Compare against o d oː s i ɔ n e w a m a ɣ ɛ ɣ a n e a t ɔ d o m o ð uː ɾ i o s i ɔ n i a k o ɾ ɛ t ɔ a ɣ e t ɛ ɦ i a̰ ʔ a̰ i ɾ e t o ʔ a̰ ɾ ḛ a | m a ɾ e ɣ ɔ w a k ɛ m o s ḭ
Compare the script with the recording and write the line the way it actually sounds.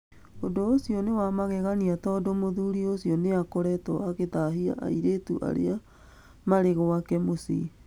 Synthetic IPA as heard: o d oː s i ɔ n e w a m a ɣ ɛ ɣ a n i a t ɔ d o m o ð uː ɾ i o s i ɔ n e a k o ɾ ɛ t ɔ a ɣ e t a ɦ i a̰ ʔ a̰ i ɾ e t u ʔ a̰ ɾ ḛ a | m a ɾ e ɣ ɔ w a k ɛ m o s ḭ